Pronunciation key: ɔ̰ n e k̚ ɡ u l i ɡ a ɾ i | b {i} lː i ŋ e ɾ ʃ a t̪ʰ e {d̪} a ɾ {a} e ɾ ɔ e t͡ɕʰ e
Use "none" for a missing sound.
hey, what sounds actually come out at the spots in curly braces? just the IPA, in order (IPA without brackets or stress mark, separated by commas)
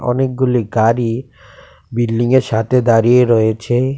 i, d̪, i